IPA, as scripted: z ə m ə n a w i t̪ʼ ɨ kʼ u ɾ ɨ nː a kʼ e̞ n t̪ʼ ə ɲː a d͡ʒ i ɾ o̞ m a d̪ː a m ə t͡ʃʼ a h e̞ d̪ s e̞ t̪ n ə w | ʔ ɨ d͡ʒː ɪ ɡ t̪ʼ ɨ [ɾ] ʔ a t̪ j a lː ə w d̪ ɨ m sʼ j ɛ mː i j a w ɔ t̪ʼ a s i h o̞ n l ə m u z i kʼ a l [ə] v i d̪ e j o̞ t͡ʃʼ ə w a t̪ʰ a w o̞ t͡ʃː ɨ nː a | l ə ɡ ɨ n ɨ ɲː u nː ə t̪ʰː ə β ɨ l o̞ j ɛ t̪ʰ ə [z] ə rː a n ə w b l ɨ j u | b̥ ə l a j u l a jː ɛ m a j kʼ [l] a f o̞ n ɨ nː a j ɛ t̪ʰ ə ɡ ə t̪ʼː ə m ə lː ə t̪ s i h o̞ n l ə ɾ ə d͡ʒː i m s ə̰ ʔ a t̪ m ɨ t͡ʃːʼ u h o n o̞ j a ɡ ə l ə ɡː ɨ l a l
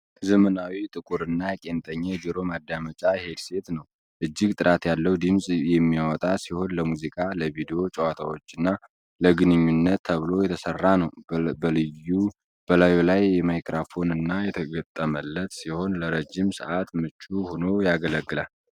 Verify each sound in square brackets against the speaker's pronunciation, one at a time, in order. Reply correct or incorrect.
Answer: correct, correct, incorrect, incorrect

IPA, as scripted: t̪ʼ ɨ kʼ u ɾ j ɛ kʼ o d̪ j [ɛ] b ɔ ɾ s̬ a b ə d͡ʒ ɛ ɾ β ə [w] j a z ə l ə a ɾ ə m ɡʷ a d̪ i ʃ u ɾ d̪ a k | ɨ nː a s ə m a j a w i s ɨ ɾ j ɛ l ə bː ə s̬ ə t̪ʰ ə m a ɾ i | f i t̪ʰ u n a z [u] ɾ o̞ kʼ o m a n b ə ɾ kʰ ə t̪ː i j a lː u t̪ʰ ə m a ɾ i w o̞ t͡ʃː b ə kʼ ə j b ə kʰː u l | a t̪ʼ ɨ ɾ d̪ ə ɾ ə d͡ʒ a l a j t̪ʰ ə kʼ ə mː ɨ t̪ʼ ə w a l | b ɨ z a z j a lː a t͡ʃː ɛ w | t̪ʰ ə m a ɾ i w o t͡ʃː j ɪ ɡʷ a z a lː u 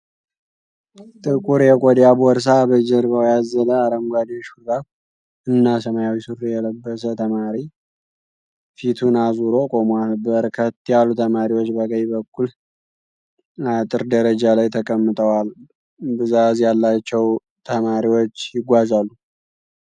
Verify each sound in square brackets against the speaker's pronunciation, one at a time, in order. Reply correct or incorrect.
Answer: incorrect, correct, correct

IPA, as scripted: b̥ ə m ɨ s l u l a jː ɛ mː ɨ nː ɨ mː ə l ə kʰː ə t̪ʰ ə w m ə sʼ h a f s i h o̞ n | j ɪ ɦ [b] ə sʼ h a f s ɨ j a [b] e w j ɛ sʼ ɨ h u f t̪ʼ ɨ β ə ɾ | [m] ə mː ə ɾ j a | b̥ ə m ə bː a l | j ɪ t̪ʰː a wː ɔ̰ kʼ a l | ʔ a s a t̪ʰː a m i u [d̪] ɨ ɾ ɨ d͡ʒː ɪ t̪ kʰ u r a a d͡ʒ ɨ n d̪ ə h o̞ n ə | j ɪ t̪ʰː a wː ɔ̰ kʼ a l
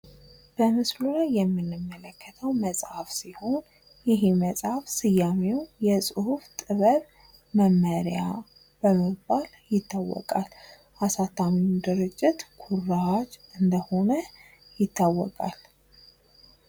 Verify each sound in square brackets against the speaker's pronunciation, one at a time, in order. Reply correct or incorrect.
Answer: incorrect, incorrect, correct, correct

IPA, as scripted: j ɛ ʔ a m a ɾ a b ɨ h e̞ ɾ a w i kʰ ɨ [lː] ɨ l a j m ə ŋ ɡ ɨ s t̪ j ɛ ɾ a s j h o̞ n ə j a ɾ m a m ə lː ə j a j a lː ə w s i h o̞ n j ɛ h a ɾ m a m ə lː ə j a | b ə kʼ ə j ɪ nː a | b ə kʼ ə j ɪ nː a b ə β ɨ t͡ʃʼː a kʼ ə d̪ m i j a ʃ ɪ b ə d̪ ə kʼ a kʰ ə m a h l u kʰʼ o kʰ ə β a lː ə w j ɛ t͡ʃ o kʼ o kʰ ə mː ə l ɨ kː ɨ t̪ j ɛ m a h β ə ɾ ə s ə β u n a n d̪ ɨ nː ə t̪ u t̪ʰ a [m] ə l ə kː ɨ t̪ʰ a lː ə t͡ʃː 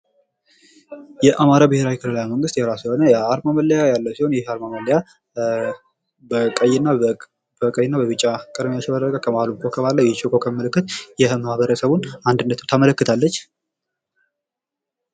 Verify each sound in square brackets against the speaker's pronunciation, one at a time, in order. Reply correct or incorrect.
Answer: incorrect, correct

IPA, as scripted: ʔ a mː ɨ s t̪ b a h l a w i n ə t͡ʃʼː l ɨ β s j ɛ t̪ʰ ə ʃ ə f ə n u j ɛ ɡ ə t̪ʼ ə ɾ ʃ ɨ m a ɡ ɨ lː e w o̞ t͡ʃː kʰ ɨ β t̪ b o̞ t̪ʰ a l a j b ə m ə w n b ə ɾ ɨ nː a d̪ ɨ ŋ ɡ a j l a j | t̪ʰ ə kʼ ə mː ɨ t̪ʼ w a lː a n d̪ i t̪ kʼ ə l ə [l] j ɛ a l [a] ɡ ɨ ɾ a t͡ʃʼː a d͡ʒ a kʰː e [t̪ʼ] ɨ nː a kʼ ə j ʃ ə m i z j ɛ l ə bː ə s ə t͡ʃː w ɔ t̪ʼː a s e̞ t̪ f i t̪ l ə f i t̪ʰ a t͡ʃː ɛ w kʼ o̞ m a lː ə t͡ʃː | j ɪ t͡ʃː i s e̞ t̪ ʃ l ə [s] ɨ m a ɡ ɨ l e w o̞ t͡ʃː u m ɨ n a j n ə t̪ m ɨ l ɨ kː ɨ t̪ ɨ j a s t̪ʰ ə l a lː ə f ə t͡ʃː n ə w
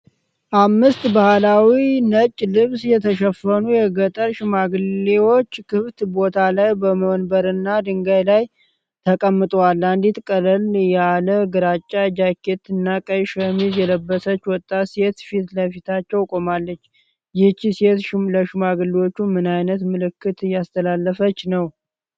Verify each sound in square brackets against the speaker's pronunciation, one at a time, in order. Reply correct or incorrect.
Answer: correct, incorrect, incorrect, incorrect

